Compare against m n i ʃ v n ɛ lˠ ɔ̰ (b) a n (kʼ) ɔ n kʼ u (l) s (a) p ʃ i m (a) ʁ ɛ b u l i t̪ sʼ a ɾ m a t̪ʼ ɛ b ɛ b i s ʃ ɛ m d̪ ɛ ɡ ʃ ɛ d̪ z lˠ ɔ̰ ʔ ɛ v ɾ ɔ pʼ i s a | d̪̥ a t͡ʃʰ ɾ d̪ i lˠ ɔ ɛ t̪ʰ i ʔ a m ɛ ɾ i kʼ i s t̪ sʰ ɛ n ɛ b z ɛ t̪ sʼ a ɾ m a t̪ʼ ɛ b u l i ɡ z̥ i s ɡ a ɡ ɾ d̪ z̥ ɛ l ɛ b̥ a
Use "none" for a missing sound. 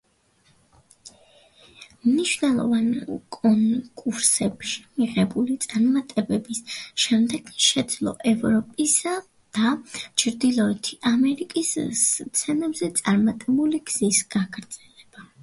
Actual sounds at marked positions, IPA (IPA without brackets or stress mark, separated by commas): v, kʼ, ɾ, ɛ, i